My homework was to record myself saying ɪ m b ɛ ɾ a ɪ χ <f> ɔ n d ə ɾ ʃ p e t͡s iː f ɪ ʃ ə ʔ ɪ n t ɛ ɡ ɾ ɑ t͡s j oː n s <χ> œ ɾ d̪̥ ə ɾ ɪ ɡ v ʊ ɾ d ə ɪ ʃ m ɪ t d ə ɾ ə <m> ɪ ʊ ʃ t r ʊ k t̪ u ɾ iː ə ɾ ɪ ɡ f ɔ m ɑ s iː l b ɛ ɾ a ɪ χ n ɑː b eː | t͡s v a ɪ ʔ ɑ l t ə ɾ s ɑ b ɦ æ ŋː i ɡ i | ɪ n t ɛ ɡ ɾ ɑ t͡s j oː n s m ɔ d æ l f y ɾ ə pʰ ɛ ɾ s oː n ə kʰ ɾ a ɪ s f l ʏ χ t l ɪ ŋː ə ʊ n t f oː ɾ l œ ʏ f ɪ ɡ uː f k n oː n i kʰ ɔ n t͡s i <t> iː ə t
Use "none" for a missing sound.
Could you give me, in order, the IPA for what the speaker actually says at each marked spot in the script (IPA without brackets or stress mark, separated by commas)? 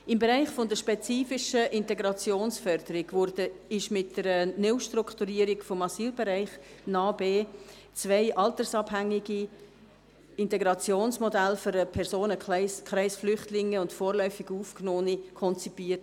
f, f, n, p